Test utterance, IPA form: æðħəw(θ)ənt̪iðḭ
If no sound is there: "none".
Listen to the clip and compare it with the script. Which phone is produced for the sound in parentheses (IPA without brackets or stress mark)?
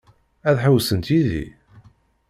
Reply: s